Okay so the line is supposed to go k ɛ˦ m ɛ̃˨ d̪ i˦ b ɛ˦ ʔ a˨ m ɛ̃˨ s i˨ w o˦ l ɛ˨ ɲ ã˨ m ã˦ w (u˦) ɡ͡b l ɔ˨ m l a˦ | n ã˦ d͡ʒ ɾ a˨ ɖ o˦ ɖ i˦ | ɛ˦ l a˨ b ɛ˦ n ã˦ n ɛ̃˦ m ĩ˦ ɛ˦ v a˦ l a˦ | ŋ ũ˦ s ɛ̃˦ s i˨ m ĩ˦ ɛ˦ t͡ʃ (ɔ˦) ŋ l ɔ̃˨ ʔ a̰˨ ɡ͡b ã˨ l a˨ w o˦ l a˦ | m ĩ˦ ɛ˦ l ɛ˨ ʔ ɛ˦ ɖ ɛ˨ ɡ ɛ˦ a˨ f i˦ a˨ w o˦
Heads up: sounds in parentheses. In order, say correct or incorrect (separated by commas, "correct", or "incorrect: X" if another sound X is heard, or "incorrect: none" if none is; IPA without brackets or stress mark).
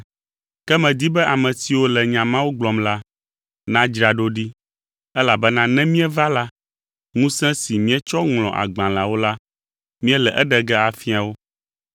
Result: incorrect: o˦, correct